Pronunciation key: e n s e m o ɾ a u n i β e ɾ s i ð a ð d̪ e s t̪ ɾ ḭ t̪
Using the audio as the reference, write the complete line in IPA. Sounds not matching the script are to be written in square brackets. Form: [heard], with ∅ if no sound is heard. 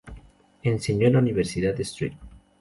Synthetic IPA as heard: e n s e [ɲ] o [l] a u n i β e ɾ s i ð a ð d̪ e s t̪ ɾ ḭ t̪